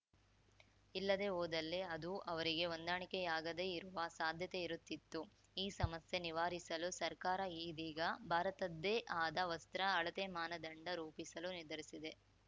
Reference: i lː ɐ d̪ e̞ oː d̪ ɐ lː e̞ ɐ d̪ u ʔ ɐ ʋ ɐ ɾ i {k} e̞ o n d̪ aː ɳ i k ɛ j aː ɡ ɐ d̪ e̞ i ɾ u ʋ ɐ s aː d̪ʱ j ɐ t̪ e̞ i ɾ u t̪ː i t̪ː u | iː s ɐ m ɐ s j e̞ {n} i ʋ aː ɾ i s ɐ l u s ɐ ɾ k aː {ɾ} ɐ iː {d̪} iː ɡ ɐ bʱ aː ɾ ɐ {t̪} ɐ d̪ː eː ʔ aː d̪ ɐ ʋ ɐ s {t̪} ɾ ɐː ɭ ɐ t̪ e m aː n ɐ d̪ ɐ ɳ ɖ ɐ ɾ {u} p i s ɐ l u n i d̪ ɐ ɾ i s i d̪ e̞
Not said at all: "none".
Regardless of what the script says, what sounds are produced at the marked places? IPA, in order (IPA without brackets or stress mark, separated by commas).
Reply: ɡ, n, ɾ, d̪, t̪, t̪, uː